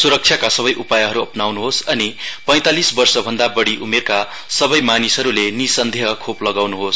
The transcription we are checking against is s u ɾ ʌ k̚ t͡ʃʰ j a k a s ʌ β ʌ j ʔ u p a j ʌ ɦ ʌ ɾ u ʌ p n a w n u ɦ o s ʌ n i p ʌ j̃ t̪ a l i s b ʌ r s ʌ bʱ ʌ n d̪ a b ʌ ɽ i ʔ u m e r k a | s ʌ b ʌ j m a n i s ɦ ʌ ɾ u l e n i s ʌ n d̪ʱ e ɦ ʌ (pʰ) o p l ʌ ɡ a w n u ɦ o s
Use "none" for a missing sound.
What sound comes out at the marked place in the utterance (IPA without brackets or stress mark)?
kʰ